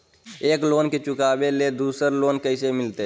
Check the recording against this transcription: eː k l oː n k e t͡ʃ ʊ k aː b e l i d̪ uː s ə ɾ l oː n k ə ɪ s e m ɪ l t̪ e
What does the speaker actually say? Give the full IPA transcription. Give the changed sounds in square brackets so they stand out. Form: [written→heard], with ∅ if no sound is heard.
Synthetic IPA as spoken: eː k l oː n k e t͡ʃ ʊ k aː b e l [i→e] d̪ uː s ə ɾ l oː n k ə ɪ s e m ɪ l t̪ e